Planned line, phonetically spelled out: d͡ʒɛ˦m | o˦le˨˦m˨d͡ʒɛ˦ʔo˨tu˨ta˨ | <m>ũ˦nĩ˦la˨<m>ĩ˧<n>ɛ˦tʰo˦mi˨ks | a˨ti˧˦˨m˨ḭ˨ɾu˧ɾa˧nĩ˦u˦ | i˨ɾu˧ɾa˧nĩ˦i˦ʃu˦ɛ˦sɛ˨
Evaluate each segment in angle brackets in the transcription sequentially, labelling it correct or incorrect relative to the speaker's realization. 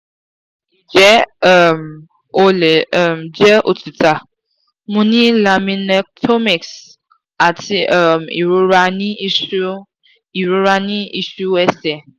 correct, correct, correct

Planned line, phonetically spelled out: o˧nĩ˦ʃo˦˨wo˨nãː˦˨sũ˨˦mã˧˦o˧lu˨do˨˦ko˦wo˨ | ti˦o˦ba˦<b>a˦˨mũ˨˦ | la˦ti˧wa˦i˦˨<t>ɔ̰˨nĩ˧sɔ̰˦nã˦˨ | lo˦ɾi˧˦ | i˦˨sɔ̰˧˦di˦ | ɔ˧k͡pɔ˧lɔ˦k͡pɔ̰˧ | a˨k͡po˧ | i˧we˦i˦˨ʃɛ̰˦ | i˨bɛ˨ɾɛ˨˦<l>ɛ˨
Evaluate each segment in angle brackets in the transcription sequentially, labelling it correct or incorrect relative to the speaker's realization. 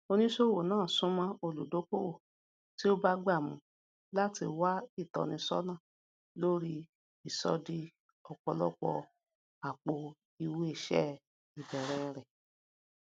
incorrect: ɡ͡b, correct, incorrect: ɾ

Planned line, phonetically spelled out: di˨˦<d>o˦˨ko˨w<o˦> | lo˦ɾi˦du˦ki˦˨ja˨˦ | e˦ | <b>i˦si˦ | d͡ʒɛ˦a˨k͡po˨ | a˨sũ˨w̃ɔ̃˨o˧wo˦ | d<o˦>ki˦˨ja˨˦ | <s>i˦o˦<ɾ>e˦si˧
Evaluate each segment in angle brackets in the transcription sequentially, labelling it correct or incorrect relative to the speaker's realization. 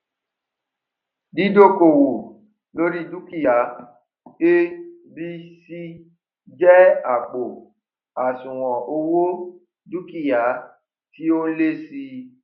correct, incorrect: o˨, correct, incorrect: u˦, incorrect: t, incorrect: l

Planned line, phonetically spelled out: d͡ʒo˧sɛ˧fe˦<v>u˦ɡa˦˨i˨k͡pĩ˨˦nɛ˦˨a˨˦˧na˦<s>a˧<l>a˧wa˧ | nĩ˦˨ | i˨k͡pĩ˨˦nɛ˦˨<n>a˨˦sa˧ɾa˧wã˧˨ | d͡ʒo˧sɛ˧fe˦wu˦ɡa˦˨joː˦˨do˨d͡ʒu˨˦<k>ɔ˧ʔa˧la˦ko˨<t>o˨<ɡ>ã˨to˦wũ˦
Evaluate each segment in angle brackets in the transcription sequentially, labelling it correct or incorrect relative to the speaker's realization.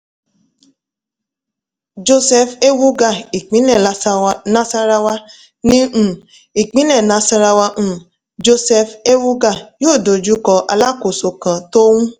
incorrect: w, correct, incorrect: ɾ, correct, correct, incorrect: s, incorrect: k

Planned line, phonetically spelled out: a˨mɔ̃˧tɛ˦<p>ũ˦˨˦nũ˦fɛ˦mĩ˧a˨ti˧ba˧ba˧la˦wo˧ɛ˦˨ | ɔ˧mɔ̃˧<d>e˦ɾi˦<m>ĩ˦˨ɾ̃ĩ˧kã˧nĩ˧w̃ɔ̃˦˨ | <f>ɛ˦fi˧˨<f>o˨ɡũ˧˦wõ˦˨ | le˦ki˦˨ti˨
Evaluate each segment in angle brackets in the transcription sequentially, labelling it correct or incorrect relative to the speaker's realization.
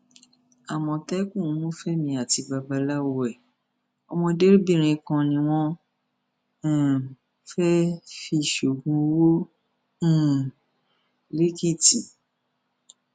incorrect: k, correct, incorrect: b, correct, incorrect: ʃ

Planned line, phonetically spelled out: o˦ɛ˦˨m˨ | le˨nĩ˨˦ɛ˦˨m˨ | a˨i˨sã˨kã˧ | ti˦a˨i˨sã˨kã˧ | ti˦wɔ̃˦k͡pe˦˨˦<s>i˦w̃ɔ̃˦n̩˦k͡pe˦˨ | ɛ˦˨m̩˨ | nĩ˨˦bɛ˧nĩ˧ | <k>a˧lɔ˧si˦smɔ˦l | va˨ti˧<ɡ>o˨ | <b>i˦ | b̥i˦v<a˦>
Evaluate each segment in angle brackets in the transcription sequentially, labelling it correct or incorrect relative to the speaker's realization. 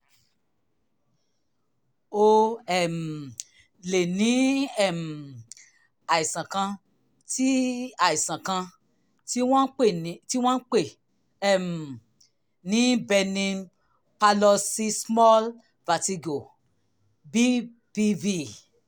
incorrect: t, incorrect: p, correct, correct, incorrect: i˦

